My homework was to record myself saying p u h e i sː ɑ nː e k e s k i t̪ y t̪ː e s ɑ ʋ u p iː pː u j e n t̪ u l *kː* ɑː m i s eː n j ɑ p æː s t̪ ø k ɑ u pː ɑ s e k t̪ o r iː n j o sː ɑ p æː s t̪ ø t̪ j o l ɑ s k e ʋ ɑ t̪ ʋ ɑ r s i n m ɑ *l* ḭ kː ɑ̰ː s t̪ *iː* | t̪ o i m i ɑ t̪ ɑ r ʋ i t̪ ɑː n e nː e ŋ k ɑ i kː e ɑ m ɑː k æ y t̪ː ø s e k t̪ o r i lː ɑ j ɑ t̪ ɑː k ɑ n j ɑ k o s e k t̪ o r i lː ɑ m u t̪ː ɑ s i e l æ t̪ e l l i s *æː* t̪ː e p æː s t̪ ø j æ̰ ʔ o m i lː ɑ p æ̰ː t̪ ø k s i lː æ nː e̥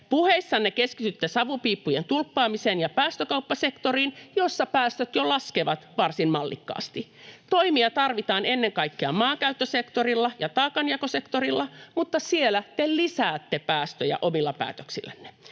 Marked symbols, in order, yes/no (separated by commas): no, no, no, yes